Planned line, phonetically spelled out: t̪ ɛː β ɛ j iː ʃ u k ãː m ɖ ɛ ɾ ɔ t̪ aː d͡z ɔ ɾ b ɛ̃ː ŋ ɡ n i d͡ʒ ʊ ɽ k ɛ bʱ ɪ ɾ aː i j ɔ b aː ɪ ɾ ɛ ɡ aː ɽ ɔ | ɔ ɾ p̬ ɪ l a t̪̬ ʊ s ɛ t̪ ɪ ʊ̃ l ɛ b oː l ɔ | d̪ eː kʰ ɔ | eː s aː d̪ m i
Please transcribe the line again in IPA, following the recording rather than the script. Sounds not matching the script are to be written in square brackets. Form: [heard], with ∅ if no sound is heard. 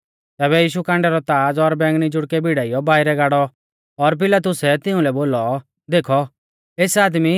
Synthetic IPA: t̪ ɛː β ɛ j iː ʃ u k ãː [ɳ] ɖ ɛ ɾ ɔ t̪ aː d͡z ɔ ɾ b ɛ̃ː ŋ ɡ n i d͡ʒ ʊ ɽ k ɛ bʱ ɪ [ɽ] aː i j ɔ b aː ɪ ɾ ɛ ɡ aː ɽ ɔ | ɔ ɾ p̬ ɪ l a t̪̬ ʊ s ɛ t̪ ɪ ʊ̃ l ɛ b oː l ɔ | d̪ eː kʰ ɔ | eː s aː d̪ m i

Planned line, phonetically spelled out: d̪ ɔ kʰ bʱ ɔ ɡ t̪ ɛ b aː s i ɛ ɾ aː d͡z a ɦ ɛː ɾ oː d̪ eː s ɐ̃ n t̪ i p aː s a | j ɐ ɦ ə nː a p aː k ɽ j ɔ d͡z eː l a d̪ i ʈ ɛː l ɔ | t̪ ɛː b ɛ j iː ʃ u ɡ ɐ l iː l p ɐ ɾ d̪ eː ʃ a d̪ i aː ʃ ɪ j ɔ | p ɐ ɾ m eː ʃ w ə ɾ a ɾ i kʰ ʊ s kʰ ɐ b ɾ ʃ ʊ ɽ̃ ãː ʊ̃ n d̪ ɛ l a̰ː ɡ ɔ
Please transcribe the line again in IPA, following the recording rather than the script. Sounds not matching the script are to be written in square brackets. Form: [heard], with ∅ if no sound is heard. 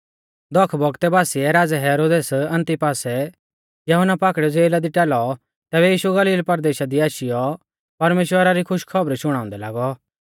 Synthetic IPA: d̪ ɔ kʰ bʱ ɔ ɡ t̪ ɛ b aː s i ɛ ɾ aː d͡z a ɦ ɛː ɾ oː d̪ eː s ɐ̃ n t̪ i p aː s [ɛ] | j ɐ ɦ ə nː a p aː k ɽ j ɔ d͡z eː l a d̪ i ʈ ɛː l ɔ | t̪ ɛː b ɛ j iː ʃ u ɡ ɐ l iː l p ɐ ɾ d̪ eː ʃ a d̪ i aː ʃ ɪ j ɔ | p ɐ ɾ m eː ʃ w ə ɾ a ɾ i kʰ ʊ [ʃ] kʰ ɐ b ɾ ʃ ʊ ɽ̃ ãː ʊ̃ n d̪ ɛ l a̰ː ɡ ɔ

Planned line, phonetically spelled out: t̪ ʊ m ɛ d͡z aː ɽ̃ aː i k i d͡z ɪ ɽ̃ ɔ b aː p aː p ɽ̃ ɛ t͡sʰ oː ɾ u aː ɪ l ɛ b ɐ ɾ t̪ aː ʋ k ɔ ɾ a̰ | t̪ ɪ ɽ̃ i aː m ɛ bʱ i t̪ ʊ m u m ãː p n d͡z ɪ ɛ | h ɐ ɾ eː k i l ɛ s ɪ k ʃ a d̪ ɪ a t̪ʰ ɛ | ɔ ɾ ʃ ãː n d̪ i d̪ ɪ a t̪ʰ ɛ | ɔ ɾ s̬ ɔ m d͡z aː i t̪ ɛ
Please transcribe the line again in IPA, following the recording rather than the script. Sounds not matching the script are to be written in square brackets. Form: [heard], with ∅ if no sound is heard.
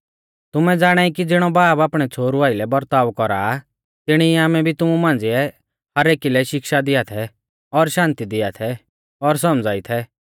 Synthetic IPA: t̪ ʊ m ɛ d͡z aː ɽ̃ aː i k i d͡z ɪ ɽ̃ ɔ b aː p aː p ɽ̃ ɛ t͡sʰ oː ɾ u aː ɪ l ɛ b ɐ ɾ t̪ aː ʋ k ɔ ɾ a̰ | t̪ ɪ ɽ̃ i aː m ɛ bʱ i t̪ ʊ m u m ãː [∅] n d͡z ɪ ɛ | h ɐ ɾ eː k i l ɛ [ʃ] ɪ k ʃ a d̪ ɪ a t̪ʰ ɛ | ɔ ɾ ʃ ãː n [t̪] i d̪ ɪ a t̪ʰ ɛ | ɔ ɾ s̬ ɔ m d͡z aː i [t̪ʰ] ɛ

